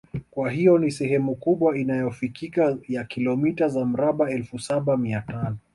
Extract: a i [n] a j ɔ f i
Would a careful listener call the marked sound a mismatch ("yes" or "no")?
no